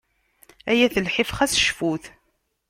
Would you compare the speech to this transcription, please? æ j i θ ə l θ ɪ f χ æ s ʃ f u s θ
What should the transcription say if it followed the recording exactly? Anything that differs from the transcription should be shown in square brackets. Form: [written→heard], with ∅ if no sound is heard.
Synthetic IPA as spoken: æ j [i→æ] θ ə l [θ→ħ] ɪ f χ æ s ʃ f u [s→∅] θ